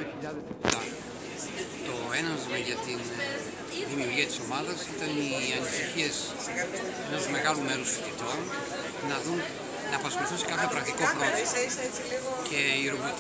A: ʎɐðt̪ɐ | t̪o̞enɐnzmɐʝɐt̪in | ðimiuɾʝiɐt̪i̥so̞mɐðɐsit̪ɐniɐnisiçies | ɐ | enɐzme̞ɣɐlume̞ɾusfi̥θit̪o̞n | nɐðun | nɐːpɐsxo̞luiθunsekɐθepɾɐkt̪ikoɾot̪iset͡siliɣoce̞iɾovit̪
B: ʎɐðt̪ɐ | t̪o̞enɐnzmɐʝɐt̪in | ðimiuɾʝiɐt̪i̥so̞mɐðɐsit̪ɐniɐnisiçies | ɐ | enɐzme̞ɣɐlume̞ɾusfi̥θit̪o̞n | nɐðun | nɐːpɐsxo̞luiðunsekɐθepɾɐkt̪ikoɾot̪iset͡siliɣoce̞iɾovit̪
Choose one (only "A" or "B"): A